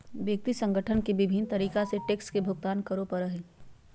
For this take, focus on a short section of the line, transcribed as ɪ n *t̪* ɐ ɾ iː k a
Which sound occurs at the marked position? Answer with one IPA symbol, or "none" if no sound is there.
t̪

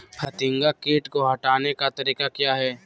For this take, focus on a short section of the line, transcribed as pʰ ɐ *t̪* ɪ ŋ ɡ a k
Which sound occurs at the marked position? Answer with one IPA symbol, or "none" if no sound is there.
t̪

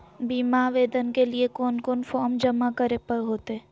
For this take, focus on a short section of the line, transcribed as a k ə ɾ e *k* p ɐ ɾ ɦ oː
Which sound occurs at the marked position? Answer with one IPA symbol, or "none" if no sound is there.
none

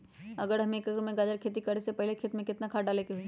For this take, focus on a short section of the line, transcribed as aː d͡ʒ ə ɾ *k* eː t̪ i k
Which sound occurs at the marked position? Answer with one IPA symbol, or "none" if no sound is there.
kʰ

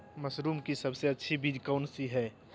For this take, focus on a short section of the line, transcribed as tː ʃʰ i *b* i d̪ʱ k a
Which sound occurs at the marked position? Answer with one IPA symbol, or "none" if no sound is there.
b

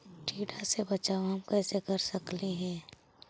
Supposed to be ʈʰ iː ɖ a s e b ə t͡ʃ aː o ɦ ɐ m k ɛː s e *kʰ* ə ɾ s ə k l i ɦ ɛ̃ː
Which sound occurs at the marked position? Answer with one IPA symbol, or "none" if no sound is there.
k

